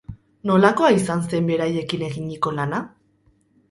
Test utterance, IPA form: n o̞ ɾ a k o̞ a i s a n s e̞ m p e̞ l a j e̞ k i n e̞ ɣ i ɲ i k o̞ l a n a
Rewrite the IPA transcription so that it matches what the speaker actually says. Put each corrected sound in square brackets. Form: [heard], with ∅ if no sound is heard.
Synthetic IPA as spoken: n o̞ [l] a k o̞ a i s a n s e̞ m [b] e̞ [ɾ] a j e̞ k i n e̞ ɣ i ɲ i k o̞ l a n a